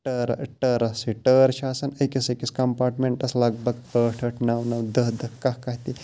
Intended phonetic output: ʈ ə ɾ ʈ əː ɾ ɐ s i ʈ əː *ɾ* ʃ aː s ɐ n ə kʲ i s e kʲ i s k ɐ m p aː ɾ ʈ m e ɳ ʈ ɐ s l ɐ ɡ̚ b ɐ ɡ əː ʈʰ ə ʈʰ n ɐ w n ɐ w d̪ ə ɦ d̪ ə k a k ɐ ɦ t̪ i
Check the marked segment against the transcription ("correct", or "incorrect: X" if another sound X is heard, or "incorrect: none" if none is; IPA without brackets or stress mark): correct